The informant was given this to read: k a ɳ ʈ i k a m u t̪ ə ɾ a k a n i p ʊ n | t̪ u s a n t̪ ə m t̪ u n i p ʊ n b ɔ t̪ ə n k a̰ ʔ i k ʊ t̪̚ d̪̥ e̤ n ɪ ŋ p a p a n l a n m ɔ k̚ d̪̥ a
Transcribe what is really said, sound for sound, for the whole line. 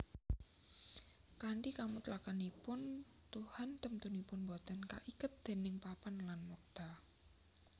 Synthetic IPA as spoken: k a ɳ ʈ i k a m u t̪ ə l a k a n i p ʊ n | t̪ u h a n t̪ ə m t̪ u n i p ʊ n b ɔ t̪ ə n k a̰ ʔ i k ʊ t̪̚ d̪̥ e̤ n ɪ ŋ p a p a n l a n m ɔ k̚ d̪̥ a